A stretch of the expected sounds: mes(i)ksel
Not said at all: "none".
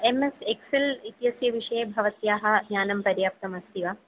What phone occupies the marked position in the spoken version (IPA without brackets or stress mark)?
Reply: e